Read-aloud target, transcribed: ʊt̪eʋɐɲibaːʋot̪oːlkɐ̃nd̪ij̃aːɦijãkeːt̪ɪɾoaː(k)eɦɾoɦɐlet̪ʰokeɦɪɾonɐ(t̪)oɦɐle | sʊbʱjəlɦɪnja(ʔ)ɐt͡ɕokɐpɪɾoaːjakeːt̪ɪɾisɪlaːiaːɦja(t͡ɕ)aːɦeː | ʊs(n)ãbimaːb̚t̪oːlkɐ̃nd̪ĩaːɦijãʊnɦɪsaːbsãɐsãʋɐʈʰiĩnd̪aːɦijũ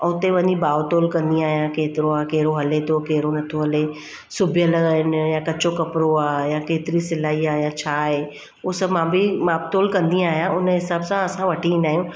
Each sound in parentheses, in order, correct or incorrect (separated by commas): correct, incorrect, incorrect, incorrect, incorrect